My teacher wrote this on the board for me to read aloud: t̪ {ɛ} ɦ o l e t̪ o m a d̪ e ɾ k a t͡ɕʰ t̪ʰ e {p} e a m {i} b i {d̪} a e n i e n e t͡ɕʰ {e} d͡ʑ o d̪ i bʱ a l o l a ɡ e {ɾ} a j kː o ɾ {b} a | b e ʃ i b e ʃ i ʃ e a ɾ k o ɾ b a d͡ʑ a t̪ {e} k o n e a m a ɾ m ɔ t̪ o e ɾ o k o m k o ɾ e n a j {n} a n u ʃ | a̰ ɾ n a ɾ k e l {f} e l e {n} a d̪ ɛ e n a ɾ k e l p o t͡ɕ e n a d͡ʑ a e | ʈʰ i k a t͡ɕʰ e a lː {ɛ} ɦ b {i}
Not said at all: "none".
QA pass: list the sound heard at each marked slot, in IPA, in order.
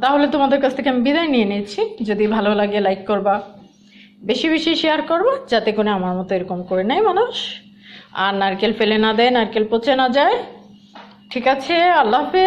a, k, i, d̪, i, l, b, e, m, f, n, a, e

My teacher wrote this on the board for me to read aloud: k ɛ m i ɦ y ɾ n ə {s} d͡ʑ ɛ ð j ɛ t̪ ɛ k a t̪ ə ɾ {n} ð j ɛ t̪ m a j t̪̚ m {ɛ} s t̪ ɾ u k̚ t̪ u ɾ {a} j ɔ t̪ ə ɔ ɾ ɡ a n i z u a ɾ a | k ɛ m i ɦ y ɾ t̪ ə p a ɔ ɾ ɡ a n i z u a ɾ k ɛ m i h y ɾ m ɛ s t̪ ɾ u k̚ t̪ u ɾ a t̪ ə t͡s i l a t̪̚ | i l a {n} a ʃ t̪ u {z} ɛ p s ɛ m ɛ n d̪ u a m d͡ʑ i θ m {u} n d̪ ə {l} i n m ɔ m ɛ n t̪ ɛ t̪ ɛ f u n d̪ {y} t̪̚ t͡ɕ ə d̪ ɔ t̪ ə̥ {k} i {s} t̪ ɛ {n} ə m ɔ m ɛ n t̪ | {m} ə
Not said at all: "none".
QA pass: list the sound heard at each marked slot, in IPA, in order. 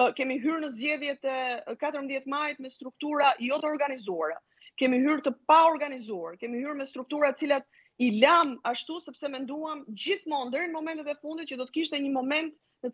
z, m, ɛ, a, m, s, ɔ, ɾ, i, k, ʃ, ɲ, n

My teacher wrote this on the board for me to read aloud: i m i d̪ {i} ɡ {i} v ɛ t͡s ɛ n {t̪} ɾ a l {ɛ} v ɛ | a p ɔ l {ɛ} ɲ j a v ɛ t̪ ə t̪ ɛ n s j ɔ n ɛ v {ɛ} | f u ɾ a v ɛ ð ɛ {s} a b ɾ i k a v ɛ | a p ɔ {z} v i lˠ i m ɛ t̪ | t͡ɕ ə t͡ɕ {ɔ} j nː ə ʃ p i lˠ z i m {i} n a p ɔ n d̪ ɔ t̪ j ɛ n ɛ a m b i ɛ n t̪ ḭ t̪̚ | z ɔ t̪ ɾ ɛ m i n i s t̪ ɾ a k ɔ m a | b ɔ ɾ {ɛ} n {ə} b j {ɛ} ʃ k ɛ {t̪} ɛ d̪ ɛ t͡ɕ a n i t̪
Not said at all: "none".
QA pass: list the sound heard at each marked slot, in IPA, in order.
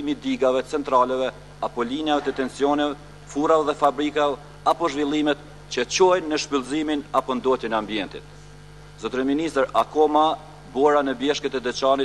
i, a, t̪, ɛ, i, ɛ, f, ʒ, ɔ, i, a, ə, ɛ, t̪

